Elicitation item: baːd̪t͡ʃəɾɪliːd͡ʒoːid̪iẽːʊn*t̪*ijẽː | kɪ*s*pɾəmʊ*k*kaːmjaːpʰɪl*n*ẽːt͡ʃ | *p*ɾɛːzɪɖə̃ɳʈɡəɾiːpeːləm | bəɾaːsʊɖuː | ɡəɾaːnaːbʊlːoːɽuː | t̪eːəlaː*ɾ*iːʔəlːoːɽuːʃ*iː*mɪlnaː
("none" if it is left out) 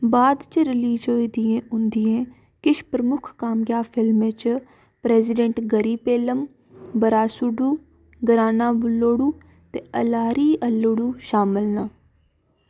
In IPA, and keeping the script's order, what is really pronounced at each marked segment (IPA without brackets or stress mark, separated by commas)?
d̪, ʃ, kʰ, m, p, ɾ, aː